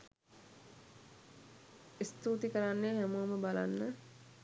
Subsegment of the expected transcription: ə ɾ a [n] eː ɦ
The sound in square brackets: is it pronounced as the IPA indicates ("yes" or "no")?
no